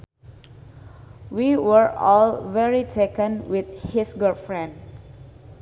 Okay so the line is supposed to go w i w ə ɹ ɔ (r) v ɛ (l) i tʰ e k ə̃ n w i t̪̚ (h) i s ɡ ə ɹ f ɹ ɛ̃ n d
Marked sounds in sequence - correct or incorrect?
incorrect: l, incorrect: ɹ, correct

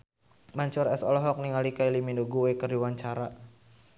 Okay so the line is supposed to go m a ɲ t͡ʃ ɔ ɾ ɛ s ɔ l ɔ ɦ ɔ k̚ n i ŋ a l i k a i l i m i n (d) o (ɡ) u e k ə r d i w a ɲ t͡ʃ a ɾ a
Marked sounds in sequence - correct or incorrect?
correct, correct

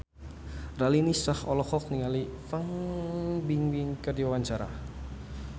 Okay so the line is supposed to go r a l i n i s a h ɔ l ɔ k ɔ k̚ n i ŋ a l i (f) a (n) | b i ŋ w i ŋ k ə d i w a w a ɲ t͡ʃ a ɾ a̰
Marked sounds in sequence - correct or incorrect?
correct, incorrect: ŋ

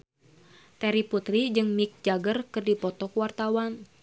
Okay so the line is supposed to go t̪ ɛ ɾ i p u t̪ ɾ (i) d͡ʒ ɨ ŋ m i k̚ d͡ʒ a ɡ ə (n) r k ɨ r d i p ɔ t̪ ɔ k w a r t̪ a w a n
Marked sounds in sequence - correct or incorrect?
correct, incorrect: none

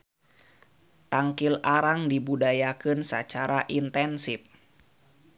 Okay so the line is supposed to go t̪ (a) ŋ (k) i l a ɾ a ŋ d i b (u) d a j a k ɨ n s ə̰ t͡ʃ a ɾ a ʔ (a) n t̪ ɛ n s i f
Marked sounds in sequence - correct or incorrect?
correct, correct, correct, incorrect: i

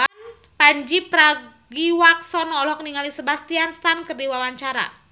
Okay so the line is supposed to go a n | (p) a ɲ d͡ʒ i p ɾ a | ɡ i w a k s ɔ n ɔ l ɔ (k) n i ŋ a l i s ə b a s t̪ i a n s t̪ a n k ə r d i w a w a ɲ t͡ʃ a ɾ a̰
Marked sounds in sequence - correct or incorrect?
correct, correct

